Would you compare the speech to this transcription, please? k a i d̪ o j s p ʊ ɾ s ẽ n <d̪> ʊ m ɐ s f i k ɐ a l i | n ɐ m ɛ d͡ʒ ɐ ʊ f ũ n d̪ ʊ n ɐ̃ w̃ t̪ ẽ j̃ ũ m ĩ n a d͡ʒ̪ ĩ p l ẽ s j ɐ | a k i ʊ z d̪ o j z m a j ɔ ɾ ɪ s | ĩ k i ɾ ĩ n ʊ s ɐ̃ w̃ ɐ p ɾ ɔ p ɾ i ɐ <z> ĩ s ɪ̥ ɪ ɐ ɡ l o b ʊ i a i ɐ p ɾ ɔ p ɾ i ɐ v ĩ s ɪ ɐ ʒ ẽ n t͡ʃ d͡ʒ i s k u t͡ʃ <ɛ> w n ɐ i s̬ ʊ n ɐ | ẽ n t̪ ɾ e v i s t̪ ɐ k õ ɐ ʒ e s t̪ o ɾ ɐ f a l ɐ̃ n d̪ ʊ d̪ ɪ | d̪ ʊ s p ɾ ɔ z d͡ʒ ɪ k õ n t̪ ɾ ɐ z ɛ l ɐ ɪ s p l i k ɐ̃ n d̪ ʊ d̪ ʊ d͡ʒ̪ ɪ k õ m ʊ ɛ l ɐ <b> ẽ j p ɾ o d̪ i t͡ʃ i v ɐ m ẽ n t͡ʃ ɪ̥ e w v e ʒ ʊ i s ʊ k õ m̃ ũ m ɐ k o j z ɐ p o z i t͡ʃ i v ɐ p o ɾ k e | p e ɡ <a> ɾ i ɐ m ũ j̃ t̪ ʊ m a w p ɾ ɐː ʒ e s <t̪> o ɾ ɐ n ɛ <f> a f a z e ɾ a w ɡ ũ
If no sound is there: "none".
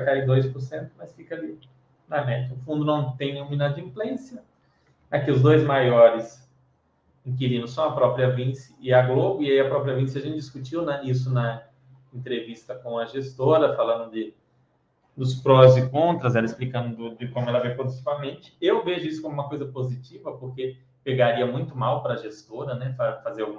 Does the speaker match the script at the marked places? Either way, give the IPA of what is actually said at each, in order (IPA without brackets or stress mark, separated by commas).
t̪, v, i, v, a, t̪, f